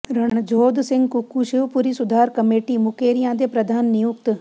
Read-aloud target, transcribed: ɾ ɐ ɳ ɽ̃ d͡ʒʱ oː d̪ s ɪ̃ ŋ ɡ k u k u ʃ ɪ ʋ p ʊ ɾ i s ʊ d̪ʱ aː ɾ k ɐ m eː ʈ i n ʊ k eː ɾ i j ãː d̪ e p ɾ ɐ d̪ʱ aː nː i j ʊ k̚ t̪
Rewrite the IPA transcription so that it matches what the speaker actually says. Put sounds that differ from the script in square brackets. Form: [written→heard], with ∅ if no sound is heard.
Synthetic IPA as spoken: ɾ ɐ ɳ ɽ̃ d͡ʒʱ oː d̪ s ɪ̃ ŋ ɡ k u k u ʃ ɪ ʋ p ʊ ɾ i s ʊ d̪ʱ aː ɾ k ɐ m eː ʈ i [n→m] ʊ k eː ɾ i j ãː d̪ e p ɾ ɐ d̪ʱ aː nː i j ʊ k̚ t̪